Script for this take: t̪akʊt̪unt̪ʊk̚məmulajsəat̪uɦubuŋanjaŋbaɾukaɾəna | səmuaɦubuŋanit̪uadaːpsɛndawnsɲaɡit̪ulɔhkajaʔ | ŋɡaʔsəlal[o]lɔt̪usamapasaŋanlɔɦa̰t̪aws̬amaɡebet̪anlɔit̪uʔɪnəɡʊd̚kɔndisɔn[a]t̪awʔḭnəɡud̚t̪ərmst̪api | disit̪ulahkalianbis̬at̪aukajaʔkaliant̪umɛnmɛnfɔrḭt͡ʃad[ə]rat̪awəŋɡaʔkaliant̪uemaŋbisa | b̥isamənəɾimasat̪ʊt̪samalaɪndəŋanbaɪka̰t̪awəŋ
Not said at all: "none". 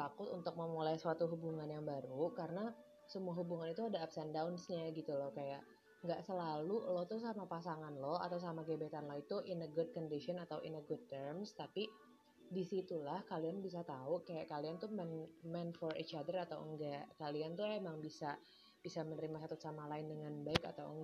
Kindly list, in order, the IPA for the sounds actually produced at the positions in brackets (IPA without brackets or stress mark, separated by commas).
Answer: u, a, ə